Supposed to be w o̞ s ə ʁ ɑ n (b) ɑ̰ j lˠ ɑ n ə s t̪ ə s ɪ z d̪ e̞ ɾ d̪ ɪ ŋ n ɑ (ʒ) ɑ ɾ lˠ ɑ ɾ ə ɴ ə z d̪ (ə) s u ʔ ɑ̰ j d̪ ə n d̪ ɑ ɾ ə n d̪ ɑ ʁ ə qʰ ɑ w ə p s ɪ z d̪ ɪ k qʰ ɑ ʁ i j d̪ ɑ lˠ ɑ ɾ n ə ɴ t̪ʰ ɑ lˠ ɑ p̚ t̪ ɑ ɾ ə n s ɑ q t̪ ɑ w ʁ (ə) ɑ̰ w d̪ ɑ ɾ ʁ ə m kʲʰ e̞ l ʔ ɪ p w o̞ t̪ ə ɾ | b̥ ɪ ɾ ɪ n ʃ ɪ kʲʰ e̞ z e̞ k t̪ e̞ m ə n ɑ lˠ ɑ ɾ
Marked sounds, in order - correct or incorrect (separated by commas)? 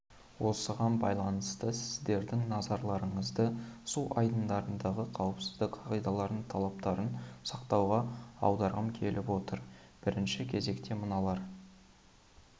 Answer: correct, incorrect, correct, incorrect